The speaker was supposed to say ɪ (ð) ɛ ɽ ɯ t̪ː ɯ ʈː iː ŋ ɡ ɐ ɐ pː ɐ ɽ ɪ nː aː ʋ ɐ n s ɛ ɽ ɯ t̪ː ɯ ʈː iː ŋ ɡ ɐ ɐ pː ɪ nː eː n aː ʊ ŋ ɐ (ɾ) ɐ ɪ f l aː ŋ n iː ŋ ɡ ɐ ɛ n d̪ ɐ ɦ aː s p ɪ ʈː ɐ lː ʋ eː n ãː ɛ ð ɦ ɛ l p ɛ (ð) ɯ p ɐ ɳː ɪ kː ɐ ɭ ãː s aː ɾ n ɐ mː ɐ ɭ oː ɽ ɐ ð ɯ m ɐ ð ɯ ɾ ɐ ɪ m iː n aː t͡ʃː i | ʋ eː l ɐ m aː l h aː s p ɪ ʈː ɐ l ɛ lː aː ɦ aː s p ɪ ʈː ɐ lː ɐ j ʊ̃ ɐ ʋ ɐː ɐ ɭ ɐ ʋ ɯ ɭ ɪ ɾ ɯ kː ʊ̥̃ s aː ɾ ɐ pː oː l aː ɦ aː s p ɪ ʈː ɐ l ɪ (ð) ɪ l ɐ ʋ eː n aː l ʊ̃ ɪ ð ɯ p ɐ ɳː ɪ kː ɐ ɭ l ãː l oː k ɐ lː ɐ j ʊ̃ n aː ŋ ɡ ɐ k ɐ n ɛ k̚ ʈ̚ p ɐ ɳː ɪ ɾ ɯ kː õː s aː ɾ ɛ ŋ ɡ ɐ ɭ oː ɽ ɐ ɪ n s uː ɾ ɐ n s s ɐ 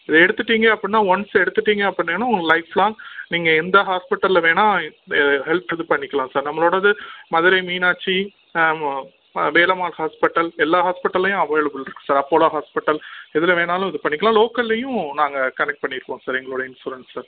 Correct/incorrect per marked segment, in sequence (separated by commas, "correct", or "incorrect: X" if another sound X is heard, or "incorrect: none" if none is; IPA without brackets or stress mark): correct, incorrect: l, correct, correct